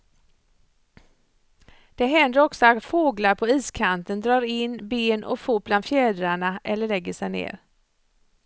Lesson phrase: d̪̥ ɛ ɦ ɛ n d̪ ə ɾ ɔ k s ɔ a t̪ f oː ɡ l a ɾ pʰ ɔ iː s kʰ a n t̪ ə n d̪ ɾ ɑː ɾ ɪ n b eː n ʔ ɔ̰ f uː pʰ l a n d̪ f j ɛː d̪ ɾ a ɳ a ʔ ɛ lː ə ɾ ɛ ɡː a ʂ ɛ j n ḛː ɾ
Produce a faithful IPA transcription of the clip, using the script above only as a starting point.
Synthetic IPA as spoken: d̪̥ ɛ ɦ ɛ n d̪ ə ɾ ɔ k s ɔ a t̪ f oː ɡ l a ɾ pʰ ɔ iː s kʰ a n t̪ ə n d̪ ɾ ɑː ɾ ɪ n b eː n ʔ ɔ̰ f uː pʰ l a n d̪ f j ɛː d̪ ɾ a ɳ a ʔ ɛ lː ə ɭ ɛ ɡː ə ʂ ɛ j n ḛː ɾ